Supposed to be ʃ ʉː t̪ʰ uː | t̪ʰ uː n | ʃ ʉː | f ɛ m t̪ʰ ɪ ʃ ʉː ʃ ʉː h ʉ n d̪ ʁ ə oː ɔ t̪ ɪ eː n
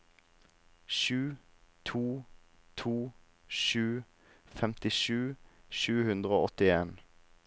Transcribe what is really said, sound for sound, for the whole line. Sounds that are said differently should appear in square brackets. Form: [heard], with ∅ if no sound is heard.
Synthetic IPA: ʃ ʉː t̪ʰ uː | t̪ʰ uː [∅] | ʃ ʉː | f ɛ m [t̪] ɪ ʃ ʉː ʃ ʉː h ʉ n d̪ ʁ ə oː ɔ t̪ ɪ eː n